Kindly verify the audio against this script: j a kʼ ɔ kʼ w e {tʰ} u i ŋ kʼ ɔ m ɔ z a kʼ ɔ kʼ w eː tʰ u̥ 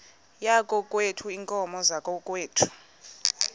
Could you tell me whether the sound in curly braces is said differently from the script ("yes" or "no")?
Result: no